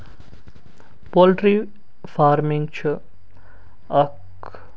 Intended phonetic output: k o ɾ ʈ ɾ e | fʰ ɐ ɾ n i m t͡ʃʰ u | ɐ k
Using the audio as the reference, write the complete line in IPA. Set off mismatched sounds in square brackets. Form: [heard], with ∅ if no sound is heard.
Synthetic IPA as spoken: [p] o [l] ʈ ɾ [i] | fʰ [a] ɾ [m] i [ŋ] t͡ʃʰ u | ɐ k